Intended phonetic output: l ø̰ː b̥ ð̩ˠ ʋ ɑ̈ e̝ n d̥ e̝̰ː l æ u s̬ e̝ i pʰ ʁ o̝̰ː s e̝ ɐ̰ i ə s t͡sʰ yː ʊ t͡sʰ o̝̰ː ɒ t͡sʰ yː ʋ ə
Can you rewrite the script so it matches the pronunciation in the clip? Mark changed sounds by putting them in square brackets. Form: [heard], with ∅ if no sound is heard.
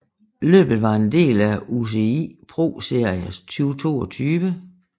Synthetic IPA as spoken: l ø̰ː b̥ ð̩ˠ ʋ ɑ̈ e̝ n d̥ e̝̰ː l æ u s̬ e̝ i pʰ ʁ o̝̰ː s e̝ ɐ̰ i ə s t͡sʰ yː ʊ t͡sʰ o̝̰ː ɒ t͡sʰ yː ʋ ə